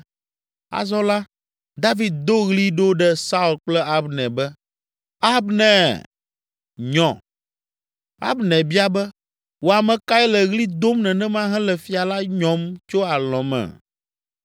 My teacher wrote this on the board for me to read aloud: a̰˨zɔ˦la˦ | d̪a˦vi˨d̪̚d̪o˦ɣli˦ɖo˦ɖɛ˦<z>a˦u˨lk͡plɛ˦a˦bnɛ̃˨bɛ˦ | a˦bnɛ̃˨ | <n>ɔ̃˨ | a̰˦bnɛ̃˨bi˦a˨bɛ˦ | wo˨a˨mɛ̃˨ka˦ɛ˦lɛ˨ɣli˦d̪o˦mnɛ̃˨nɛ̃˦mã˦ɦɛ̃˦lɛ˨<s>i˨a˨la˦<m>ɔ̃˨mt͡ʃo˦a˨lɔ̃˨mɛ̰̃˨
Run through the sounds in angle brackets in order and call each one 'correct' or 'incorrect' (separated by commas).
incorrect, incorrect, incorrect, incorrect